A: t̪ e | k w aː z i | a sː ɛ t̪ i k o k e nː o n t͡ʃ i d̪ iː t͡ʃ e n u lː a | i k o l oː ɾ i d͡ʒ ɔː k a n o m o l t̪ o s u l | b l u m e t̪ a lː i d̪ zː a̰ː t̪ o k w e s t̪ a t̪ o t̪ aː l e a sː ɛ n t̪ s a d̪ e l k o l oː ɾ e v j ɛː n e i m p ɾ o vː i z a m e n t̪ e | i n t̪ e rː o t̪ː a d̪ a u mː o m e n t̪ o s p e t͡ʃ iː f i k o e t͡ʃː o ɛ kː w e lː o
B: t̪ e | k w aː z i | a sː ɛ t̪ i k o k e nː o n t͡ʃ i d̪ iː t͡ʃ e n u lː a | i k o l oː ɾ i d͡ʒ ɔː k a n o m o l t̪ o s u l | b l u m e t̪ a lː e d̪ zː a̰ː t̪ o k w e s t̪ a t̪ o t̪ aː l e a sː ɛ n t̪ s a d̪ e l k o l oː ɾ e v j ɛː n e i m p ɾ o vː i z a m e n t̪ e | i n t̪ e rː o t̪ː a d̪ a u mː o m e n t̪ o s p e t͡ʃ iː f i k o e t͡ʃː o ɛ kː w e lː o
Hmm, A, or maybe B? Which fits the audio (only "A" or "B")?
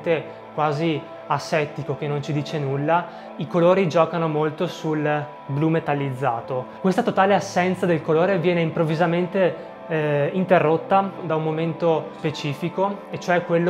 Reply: A